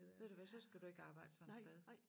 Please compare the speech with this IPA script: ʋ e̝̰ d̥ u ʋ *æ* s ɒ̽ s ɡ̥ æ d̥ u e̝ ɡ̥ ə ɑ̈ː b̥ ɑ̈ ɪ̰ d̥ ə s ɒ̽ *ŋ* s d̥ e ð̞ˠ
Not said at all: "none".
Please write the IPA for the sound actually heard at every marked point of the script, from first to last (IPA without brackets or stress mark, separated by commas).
æ, n